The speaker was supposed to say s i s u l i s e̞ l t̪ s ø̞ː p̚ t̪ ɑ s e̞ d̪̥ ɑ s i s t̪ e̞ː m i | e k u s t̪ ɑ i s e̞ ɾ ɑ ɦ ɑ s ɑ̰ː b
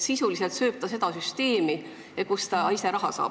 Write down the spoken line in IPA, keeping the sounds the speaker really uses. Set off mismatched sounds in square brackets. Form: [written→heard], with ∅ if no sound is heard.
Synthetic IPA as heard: s i s u l i s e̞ l t̪ s ø̞ː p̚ t̪ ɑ s e̞ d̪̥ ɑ s [i→y] s t̪ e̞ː m i | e k u s t̪ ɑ i s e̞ ɾ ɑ ɦ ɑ s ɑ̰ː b